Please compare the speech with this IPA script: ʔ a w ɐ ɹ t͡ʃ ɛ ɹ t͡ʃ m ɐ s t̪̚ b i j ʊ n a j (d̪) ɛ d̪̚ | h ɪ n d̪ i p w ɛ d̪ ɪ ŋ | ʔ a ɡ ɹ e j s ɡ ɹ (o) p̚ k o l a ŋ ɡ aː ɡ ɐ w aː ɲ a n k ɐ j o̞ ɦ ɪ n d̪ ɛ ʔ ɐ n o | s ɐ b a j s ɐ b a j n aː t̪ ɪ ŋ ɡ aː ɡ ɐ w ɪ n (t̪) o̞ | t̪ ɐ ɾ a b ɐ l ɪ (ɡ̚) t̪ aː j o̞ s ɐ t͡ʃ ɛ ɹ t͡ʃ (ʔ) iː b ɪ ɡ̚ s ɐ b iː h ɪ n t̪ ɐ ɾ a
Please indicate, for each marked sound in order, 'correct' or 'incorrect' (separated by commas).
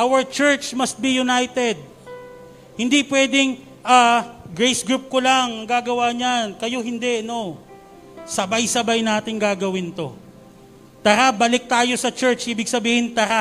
incorrect, incorrect, correct, incorrect, correct